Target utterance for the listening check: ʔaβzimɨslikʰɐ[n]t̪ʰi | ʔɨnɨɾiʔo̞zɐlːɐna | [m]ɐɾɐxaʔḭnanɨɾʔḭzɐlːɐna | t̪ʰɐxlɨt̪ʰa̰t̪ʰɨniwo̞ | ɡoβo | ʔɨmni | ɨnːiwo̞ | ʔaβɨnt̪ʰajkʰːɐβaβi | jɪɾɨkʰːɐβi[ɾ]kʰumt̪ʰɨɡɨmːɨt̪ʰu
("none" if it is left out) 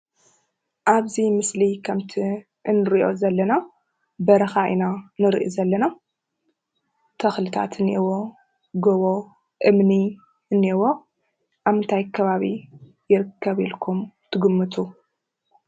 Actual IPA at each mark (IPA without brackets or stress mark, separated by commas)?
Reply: m, b, l